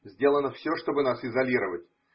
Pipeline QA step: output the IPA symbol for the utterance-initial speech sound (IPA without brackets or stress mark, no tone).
zʲ